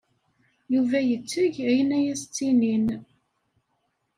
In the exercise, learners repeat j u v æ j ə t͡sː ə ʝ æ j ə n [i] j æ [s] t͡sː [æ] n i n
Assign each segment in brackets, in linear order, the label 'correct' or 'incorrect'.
incorrect, correct, incorrect

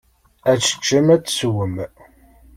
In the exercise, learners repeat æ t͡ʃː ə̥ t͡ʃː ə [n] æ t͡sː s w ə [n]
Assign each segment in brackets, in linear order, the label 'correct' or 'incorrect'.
incorrect, incorrect

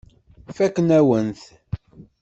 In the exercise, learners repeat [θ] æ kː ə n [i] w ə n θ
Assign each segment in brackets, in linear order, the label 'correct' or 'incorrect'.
incorrect, incorrect

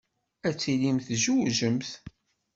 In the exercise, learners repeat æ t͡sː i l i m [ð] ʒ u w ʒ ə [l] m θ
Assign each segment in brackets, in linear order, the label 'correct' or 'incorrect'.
incorrect, incorrect

